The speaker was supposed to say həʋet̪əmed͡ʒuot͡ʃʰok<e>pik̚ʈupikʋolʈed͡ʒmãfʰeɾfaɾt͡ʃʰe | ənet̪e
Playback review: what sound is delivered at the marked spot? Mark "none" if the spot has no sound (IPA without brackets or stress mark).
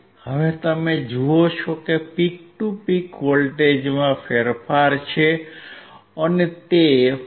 e